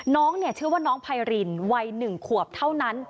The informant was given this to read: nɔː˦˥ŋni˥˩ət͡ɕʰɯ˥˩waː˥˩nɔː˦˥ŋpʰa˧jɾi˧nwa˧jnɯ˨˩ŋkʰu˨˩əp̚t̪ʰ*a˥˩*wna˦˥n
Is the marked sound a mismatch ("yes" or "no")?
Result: no